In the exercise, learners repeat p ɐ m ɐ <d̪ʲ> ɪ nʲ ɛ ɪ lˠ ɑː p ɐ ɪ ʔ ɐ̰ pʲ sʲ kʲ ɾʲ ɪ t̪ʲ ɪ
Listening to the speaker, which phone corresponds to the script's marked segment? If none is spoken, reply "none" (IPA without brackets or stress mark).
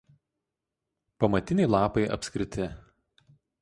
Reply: t̪ʲ